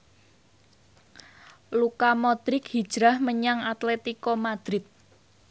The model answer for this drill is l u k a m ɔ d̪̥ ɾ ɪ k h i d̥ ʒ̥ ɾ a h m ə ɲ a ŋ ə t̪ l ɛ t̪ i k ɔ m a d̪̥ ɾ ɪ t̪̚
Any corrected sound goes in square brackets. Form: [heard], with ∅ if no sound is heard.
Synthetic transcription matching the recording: l u k a m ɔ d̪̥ ɾ ɪ k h i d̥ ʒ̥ ɾ a h m ə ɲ a ŋ [a] t̪ l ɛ t̪ i k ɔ m a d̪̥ ɾ ɪ t̪̚